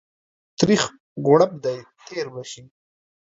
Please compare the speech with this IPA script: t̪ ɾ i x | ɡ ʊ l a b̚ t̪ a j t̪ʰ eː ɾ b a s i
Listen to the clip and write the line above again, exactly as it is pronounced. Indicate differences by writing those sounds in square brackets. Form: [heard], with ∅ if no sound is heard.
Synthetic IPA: t̪ ɾ i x | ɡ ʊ [ɽ] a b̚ [d̪] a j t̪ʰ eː ɾ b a [ʃ] i